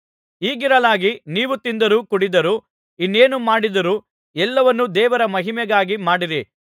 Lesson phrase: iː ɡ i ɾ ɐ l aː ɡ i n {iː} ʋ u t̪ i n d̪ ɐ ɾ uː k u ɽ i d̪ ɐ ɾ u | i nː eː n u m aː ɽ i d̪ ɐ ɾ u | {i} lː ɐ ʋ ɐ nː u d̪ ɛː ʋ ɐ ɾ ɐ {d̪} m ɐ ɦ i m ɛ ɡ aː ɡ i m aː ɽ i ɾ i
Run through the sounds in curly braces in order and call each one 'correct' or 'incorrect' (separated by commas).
correct, incorrect, incorrect